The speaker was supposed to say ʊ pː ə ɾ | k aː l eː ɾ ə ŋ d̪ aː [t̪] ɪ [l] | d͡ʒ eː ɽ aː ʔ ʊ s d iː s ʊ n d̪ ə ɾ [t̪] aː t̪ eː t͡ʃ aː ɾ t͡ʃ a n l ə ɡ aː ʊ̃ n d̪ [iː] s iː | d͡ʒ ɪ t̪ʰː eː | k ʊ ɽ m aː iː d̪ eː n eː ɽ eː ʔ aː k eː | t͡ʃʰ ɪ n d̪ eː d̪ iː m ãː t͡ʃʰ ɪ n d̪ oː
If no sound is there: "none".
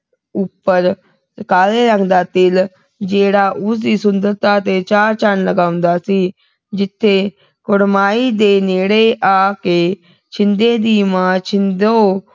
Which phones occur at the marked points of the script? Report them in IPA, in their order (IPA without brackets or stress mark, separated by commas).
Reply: t̪, l, t̪, aː